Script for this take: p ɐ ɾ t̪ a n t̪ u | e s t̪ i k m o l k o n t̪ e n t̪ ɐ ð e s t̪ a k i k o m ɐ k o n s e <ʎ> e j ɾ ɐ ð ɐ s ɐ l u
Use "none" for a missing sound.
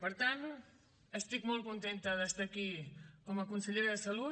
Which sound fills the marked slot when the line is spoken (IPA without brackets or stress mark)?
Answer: ʎ